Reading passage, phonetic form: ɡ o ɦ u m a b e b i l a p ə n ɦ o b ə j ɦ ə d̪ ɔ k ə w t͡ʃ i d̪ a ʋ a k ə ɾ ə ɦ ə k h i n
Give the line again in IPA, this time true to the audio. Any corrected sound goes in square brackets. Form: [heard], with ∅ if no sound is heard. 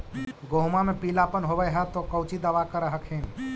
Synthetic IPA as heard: ɡ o ɦ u m a [m] e [p] i l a p ə n ɦ o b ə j ɦ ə [t̪] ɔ k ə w t͡ʃ i d̪ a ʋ a k ə ɾ ə ɦ ə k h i n